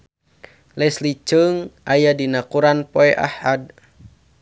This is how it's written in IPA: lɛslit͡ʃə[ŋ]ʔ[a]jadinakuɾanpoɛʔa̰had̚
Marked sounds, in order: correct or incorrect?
correct, correct

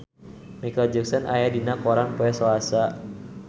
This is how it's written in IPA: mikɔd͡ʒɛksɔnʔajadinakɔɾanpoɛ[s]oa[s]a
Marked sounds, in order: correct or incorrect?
correct, correct

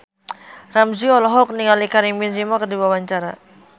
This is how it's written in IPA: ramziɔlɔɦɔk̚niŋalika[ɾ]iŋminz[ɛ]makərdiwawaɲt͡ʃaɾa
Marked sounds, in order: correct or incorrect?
correct, incorrect

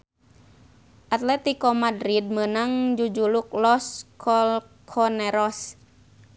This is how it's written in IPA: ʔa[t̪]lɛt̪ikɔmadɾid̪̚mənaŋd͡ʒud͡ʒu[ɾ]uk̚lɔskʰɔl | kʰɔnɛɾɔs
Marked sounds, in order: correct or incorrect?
correct, incorrect

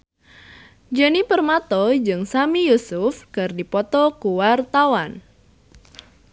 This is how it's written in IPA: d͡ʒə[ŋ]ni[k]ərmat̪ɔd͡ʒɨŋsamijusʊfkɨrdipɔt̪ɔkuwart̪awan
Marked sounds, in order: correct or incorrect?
incorrect, incorrect

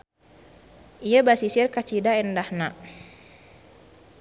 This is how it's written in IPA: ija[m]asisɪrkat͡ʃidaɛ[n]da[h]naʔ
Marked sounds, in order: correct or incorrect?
incorrect, correct, correct

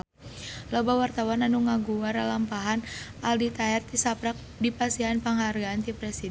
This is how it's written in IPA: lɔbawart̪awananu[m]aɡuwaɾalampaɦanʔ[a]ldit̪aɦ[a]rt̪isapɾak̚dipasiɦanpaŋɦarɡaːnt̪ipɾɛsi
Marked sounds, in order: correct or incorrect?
incorrect, correct, incorrect

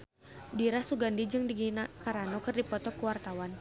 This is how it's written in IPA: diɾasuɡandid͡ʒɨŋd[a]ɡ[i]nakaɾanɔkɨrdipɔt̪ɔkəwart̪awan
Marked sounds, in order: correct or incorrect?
incorrect, correct

